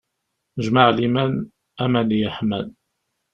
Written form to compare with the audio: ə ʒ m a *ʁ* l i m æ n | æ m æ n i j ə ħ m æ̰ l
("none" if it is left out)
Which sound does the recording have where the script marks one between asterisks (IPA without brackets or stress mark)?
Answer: ʕ